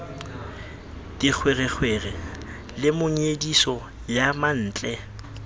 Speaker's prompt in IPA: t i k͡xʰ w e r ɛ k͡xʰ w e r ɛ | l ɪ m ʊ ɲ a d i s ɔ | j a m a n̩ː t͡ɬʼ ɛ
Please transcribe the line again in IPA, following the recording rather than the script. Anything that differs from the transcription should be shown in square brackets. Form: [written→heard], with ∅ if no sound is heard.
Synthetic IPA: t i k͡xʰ w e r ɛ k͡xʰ w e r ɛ | l ɪ m ʊ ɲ [a→e] d i s ɔ | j a m a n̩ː t͡ɬʼ ɛ